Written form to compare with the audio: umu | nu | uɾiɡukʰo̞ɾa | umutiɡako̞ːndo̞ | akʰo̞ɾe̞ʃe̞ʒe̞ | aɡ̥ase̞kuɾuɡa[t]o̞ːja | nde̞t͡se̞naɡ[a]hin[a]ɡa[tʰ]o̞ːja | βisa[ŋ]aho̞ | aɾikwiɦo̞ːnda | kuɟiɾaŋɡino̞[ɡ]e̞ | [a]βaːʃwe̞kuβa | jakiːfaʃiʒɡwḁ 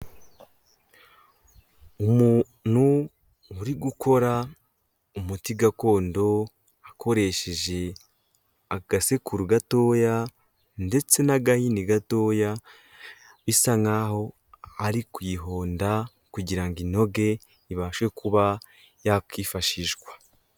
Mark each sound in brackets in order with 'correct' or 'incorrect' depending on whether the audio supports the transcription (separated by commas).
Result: correct, correct, incorrect, incorrect, correct, correct, incorrect